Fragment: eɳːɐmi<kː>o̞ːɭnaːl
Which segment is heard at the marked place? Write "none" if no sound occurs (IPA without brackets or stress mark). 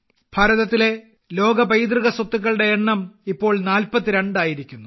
pː